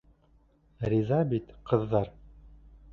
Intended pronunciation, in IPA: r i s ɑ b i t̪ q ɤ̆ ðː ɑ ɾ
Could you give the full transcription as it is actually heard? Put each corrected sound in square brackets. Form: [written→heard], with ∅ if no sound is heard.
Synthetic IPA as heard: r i [s→z] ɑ b i t̪ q ɤ̆ ðː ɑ ɾ